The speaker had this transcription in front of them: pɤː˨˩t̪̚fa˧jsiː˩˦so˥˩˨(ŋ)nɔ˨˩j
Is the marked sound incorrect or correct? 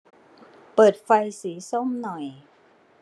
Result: incorrect